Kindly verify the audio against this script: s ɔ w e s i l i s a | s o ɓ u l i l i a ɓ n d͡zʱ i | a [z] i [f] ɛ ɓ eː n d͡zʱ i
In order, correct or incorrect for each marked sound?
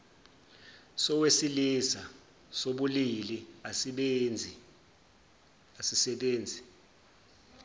incorrect, incorrect

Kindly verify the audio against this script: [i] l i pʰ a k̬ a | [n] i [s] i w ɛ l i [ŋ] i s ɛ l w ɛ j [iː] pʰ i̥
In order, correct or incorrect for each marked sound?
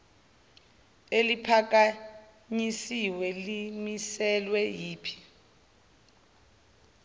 incorrect, incorrect, correct, incorrect, correct

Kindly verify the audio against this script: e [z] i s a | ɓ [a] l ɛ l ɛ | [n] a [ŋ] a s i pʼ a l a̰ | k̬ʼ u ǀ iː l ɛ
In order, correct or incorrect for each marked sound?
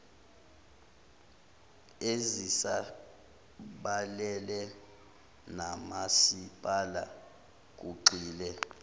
correct, correct, correct, incorrect

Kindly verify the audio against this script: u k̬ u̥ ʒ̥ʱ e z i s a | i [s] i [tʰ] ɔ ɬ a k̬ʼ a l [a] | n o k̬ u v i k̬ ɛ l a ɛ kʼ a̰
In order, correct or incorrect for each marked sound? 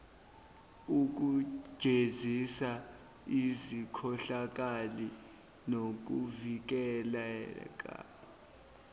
incorrect, incorrect, incorrect

